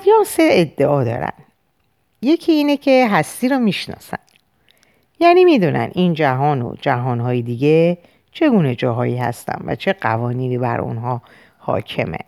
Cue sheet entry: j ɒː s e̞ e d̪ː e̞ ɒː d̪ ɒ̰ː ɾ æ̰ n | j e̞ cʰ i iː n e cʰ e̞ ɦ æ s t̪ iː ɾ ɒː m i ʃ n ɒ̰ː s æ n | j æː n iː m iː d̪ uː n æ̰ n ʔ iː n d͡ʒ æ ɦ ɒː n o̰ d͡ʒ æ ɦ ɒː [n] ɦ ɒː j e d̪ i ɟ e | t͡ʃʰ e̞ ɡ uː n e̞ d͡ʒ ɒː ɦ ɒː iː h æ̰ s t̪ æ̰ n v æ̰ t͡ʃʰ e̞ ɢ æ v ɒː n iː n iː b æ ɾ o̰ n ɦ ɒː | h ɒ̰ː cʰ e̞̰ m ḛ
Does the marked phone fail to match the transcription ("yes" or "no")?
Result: no